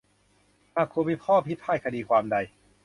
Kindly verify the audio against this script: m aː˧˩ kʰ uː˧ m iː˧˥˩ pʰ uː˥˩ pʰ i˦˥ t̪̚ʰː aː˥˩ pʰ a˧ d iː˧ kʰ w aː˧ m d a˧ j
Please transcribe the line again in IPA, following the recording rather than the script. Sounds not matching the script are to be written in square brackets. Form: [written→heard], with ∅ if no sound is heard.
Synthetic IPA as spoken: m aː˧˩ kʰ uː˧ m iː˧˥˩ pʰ [uː˥˩→ɔː˥˩] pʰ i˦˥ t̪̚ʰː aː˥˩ [pʰ→kʰ] a˧ d iː˧ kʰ w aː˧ m d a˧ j